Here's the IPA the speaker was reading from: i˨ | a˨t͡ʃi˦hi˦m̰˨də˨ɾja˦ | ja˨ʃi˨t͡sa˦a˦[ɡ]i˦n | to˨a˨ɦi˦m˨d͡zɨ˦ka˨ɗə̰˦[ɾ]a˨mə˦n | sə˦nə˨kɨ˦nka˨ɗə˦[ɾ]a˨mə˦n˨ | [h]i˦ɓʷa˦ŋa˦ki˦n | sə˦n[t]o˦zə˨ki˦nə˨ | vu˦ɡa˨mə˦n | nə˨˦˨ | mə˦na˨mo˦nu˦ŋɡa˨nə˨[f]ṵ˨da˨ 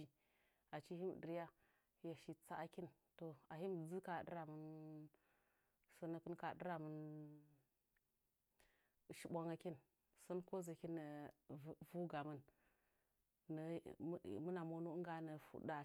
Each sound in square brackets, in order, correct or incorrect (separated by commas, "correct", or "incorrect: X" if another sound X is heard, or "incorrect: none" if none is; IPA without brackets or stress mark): incorrect: k, correct, correct, incorrect: ʃ, incorrect: k, correct